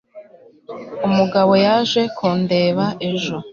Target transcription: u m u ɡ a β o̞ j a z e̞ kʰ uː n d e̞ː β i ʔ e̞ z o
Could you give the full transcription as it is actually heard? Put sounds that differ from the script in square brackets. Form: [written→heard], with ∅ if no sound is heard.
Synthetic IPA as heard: u m u ɡ a β o̞ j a [z→ʒ] e̞ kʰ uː n d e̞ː β [i→a] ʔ e̞ [z→ʒ] o